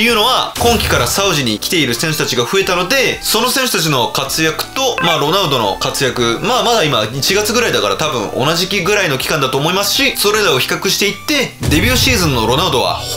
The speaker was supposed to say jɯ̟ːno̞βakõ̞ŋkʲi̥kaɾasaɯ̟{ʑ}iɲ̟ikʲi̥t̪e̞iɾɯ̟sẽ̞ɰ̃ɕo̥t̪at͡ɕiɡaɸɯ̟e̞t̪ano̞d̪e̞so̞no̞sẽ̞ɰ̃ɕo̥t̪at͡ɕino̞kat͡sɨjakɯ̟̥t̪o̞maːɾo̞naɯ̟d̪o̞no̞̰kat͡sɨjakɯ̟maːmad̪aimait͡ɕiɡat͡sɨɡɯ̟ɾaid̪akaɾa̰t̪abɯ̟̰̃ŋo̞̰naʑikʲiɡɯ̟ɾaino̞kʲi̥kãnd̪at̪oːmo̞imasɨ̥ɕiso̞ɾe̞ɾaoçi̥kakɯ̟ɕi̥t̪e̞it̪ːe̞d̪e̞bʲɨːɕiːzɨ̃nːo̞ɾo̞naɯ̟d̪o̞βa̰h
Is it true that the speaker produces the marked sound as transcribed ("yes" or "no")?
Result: yes